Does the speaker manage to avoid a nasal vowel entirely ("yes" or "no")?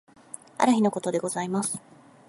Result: yes